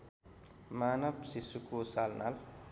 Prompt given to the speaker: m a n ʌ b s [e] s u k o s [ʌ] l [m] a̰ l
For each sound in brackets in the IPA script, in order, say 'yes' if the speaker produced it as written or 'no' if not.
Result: no, no, no

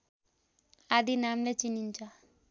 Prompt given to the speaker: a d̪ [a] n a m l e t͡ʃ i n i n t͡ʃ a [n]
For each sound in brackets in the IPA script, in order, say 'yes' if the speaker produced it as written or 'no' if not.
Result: no, no

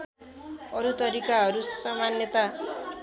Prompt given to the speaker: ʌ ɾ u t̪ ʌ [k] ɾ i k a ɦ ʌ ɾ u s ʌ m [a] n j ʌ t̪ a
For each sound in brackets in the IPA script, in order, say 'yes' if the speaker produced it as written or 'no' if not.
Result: no, yes

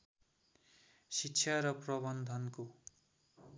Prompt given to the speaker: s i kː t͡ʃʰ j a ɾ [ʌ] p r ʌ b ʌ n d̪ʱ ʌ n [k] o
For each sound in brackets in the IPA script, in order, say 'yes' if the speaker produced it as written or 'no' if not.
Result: yes, yes

